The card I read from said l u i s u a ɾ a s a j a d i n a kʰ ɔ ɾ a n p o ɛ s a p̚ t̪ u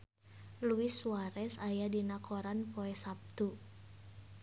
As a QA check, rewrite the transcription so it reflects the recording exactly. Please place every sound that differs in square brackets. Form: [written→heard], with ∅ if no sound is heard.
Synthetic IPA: l u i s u a ɾ [a→ɛ] s a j a d i n a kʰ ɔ ɾ a n p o ɛ s a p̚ t̪ u